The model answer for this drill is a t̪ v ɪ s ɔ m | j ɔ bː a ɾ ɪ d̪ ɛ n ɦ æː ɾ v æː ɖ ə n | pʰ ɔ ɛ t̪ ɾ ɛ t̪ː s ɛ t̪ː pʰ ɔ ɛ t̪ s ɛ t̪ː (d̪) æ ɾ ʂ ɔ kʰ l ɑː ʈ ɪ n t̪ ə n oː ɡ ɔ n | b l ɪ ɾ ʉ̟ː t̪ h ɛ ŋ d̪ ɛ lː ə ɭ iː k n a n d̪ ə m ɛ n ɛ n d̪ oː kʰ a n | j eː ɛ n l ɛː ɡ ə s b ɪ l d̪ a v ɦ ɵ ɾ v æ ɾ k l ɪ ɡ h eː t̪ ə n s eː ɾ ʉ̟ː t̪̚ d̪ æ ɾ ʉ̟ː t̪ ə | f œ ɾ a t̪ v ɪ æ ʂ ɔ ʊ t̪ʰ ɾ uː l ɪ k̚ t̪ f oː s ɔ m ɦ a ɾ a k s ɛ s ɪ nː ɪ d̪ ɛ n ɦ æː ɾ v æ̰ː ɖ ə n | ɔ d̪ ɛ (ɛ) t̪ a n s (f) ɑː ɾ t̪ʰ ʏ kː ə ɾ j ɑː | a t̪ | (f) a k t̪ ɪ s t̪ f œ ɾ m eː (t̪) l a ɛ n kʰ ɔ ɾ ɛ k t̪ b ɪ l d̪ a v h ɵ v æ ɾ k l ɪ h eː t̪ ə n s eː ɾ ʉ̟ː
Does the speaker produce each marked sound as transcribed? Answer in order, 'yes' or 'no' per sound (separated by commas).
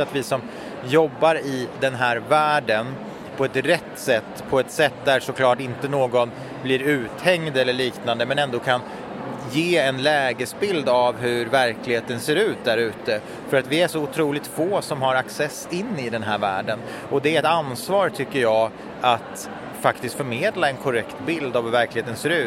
yes, yes, no, yes, no